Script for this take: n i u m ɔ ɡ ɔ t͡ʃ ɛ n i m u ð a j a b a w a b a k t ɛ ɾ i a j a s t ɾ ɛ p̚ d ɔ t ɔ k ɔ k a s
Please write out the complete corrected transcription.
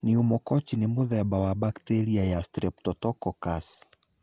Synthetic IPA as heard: n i u m ɔ k ɔ t͡ʃ i n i m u ð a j a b a w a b a k t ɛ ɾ i a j a s t ɾ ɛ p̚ t ɔ t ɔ k ɔ k a s